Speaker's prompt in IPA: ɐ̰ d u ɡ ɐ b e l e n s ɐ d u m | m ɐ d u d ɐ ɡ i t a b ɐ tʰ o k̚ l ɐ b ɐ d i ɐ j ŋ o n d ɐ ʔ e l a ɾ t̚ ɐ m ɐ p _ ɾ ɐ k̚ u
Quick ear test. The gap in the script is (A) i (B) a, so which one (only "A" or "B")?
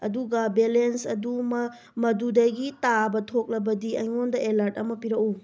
A